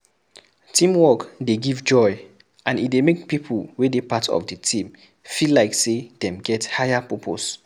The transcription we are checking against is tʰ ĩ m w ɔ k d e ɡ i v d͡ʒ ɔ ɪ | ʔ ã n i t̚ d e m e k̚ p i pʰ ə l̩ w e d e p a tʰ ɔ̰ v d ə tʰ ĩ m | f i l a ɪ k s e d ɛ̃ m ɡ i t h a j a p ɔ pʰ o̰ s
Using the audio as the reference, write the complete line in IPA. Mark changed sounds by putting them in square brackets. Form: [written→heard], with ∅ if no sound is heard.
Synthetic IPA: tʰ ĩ m w ɔ k d e ɡ i v d͡ʒ ɔ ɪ | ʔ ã n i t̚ d e m e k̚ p i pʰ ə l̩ w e d e p a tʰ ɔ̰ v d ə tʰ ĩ m | f i l a ɪ k s e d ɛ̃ m ɡ [i→ɛ] t h a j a p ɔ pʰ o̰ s